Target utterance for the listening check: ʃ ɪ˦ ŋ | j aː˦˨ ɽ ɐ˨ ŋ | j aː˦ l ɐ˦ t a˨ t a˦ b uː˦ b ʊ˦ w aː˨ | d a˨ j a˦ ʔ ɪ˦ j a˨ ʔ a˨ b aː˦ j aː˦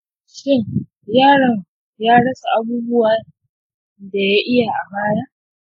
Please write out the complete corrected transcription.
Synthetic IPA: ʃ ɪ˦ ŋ | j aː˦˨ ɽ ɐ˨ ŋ | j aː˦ ɽ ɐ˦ s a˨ ʔ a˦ b uː˦ b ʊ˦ w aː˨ | d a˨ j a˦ ʔ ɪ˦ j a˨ ʔ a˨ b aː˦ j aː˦

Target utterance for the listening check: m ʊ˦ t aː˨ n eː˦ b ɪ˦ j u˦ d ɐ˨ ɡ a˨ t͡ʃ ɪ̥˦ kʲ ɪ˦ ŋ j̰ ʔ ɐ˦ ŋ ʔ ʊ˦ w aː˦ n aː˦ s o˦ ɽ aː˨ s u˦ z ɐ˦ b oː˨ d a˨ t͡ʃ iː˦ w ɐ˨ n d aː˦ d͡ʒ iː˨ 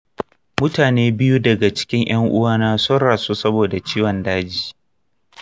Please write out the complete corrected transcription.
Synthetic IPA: m ʊ˦ t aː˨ n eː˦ b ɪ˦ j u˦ d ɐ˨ ɡ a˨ t͡ʃ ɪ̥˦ kʲ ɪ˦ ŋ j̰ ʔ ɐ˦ ŋ ʔ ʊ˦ w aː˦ n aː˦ s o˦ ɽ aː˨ s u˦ s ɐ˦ b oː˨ d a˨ t͡ʃ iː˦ w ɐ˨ n d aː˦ d͡ʒ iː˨

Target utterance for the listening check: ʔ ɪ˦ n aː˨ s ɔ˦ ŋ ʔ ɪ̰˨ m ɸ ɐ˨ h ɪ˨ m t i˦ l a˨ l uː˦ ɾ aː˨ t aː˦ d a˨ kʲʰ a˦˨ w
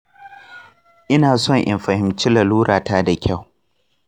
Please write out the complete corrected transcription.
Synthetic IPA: ʔ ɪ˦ n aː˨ s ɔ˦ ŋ ʔ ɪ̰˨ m ɸ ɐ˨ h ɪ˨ m t͡ʃ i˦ l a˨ l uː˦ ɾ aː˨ t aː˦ d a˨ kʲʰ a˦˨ w

